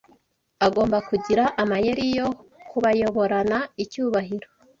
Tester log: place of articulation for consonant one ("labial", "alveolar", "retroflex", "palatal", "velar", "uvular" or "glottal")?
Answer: velar